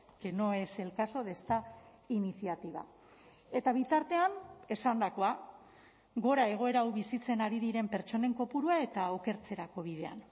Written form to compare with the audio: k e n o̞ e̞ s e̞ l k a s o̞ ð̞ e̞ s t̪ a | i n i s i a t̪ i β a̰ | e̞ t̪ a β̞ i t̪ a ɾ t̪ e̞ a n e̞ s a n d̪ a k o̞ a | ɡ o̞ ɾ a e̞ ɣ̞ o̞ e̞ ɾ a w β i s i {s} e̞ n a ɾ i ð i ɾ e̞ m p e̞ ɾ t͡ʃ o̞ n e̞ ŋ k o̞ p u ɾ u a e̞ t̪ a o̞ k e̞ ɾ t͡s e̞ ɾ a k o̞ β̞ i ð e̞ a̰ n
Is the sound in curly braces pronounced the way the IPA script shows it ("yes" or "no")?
no